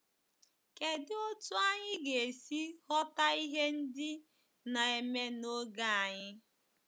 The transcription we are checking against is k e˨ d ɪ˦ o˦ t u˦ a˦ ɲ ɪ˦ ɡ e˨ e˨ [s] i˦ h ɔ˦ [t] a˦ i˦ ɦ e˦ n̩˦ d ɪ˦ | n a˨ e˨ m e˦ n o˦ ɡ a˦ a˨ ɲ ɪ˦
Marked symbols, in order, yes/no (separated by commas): yes, yes